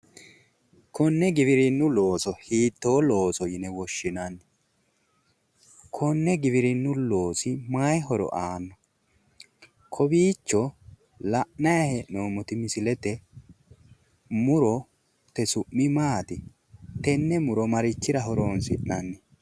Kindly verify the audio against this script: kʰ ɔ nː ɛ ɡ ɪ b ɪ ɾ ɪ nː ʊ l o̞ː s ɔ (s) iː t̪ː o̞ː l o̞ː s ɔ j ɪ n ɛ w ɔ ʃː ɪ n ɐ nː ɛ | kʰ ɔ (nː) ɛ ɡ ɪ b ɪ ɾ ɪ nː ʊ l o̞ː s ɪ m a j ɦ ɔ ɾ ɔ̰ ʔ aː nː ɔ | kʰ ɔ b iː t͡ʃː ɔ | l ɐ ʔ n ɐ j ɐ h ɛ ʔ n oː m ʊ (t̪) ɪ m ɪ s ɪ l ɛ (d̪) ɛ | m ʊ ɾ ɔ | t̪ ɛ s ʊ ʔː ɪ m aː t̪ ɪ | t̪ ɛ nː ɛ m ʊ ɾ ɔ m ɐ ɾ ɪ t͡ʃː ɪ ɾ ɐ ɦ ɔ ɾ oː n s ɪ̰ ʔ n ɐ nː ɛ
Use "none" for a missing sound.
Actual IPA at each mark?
h, nː, t̪, t̪

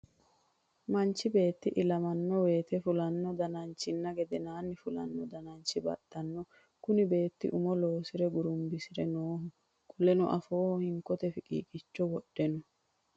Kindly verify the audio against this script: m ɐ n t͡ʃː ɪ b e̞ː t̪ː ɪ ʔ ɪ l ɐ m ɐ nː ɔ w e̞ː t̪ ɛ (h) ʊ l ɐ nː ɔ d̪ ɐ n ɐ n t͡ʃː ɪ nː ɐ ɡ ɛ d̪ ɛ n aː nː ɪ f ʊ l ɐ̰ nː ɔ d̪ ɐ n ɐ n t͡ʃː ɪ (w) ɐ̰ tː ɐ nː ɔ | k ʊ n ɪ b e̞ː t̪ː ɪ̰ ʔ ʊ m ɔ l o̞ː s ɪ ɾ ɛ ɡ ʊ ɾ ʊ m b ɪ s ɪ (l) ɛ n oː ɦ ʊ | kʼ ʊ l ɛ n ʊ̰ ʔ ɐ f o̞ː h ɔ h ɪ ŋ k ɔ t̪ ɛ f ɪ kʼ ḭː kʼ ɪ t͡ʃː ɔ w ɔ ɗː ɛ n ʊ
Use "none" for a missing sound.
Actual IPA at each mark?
f, b, ɾ

